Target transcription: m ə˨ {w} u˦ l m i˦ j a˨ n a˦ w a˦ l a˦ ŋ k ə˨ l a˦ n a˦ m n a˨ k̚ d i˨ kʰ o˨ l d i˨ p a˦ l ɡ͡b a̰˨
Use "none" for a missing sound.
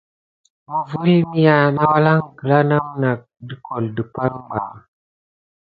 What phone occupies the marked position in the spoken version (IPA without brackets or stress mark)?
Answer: v